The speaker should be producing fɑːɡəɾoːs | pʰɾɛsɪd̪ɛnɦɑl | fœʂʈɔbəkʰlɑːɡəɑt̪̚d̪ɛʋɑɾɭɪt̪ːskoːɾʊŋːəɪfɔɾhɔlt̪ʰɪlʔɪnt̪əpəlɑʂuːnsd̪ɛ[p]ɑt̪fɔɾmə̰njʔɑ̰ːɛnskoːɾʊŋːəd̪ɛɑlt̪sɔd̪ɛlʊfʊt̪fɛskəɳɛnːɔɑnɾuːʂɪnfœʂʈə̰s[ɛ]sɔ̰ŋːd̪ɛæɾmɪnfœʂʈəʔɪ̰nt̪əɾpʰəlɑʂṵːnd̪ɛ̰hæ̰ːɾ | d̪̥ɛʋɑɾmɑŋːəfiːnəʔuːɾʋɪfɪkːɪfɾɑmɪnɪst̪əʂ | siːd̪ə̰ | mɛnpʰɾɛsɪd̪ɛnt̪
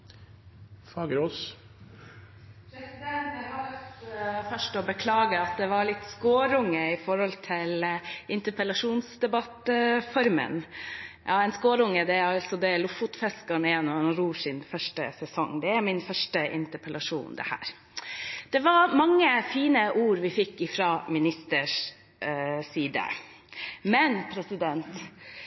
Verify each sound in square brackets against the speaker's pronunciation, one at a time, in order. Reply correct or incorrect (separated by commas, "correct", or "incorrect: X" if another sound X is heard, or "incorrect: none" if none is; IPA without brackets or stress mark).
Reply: incorrect: b, correct